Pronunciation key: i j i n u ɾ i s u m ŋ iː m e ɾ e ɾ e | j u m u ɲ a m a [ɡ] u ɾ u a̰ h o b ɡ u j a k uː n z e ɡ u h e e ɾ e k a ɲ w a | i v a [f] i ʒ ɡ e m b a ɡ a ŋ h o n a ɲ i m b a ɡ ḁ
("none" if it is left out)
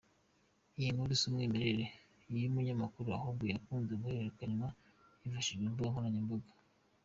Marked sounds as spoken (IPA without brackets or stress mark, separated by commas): k, ʃ